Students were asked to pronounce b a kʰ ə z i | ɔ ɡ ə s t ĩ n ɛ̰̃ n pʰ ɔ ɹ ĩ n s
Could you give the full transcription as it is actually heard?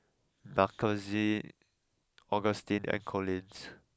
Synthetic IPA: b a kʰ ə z i | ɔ ɡ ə s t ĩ n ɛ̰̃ n kʰ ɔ l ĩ n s